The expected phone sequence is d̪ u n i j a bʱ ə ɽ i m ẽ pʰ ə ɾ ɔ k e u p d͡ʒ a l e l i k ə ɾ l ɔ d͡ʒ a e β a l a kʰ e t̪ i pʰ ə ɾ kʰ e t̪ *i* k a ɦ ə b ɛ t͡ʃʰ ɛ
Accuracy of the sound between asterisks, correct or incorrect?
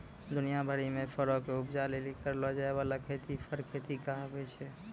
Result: correct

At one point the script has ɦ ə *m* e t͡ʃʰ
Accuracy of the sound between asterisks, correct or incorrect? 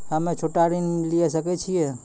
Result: correct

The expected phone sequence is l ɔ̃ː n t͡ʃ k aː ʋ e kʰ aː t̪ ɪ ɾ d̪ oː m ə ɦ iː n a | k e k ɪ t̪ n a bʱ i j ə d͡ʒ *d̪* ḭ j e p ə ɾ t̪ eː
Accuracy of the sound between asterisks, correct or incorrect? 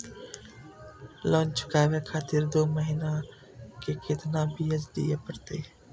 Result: correct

